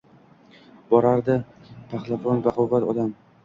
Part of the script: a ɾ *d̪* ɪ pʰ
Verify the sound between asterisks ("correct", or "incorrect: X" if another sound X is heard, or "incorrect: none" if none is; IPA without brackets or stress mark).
correct